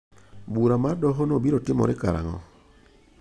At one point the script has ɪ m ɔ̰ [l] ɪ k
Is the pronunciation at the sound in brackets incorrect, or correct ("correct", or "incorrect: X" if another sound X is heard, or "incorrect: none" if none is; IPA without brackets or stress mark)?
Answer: incorrect: ɾ